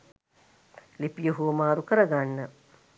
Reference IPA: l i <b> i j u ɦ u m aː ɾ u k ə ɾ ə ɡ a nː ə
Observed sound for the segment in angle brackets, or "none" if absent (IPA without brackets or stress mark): p